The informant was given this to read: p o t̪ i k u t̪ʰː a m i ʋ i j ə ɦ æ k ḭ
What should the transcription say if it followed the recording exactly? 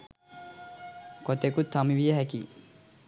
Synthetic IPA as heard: k o t̪ e k u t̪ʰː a m i ʋ i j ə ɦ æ k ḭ